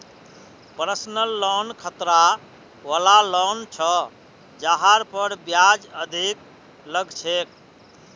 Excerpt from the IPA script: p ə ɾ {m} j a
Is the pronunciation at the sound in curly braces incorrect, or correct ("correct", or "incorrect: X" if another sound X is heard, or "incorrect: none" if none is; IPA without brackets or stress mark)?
incorrect: b